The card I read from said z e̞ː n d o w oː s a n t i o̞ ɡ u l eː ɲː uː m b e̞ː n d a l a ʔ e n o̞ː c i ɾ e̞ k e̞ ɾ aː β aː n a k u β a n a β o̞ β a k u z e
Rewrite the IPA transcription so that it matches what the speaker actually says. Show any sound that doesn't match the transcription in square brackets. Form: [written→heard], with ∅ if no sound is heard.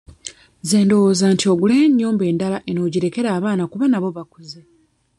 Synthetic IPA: z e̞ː n d o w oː [s→z] a n t i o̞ ɡ u l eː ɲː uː m b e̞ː n d a l a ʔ e n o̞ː [c→ɟ] i ɾ e̞ k e̞ ɾ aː β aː n a k u β a n a β o̞ β a k u z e